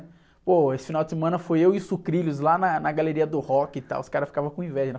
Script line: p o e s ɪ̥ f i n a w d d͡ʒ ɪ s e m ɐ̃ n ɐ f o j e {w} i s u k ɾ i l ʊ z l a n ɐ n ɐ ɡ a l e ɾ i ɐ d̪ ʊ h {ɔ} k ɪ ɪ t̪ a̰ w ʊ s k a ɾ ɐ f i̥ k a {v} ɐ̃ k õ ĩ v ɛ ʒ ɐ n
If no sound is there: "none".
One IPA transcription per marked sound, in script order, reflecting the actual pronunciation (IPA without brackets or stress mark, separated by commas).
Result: w, ɔ, v